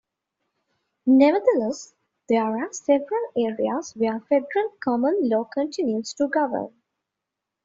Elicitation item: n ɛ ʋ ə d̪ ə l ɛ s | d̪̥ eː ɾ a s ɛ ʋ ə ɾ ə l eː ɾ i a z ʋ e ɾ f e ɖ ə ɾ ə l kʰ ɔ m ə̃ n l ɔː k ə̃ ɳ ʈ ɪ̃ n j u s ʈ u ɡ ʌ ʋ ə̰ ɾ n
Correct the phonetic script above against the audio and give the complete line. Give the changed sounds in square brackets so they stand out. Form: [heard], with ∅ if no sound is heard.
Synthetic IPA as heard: n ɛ ʋ ə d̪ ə l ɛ s | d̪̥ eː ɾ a s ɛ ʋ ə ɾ ə l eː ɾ i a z ʋ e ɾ f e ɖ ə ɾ ə l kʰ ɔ m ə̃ n l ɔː k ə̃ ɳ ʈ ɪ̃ n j u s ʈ u ɡ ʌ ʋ ə̰ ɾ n